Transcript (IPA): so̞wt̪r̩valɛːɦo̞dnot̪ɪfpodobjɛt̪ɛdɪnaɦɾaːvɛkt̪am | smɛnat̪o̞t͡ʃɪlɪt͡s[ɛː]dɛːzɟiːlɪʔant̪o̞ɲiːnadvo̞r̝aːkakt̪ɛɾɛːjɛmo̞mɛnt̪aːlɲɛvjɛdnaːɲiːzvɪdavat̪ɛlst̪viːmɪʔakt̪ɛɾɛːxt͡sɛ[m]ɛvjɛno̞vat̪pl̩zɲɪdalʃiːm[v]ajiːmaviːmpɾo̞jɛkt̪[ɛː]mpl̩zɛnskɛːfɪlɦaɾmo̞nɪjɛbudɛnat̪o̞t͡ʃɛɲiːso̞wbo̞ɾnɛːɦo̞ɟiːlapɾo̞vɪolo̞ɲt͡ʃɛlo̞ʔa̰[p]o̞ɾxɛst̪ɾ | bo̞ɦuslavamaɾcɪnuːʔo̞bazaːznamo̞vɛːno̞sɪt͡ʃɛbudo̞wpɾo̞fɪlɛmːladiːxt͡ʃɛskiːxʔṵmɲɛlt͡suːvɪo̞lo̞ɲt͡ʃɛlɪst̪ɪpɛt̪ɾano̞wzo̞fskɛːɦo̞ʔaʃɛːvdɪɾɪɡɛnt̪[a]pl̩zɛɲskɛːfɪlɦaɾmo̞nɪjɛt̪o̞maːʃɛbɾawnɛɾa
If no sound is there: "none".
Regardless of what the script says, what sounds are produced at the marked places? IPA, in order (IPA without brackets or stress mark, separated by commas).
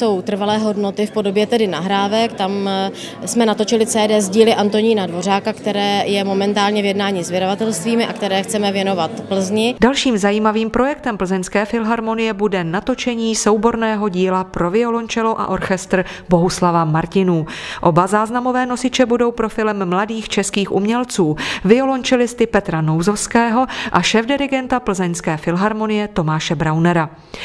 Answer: ɛː, m, z, ɛ, ʔ, a